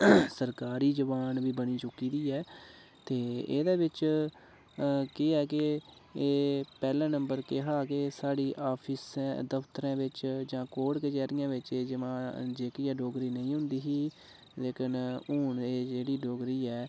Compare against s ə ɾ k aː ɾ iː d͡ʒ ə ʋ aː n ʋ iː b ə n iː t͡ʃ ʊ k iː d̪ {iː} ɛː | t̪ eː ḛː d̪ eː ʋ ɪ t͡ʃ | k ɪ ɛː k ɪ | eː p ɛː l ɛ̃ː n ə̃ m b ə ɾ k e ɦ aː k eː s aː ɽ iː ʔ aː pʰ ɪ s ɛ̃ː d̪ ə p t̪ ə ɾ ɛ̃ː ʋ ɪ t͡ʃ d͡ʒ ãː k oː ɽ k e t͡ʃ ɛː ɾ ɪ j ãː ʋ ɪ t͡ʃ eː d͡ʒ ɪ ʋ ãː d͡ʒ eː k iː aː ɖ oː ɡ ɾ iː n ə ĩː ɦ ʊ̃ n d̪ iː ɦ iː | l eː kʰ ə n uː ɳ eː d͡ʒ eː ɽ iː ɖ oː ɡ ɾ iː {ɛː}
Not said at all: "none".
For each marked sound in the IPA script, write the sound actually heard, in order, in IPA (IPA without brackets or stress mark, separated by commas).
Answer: iː, ɛː